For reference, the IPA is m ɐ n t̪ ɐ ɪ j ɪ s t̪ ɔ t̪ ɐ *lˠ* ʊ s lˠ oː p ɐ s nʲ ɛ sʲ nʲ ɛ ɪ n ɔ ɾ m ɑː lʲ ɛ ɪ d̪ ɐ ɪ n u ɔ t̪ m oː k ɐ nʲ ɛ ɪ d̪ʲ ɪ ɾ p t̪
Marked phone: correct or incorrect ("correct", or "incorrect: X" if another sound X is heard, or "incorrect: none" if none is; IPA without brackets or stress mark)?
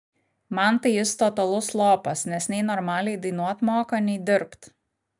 correct